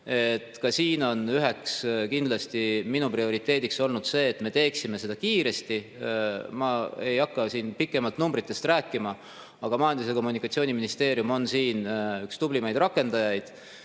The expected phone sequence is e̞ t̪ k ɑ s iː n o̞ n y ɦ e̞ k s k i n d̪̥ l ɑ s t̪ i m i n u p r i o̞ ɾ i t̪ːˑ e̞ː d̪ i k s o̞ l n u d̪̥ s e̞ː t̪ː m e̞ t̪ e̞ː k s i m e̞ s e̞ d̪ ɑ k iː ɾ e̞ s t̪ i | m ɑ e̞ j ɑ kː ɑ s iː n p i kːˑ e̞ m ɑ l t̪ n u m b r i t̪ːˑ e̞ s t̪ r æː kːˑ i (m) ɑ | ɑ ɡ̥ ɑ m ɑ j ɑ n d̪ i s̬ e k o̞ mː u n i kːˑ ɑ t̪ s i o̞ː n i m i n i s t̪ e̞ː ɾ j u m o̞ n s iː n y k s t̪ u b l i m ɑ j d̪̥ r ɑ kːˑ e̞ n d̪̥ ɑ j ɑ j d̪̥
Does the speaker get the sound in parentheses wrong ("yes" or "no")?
no